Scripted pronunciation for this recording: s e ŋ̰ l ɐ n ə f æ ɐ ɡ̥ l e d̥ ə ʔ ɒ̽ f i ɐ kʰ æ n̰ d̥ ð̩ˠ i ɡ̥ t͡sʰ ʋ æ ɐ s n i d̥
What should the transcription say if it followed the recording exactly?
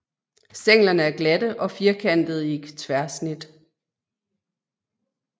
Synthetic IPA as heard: s e ŋ̰ l ɐ n ə æ ɐ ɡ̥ l æ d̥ ə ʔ ɒ̽ f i ɐ kʰ æ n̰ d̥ ð̩ˠ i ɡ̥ t͡sʰ ʋ æ ɐ s n i d̥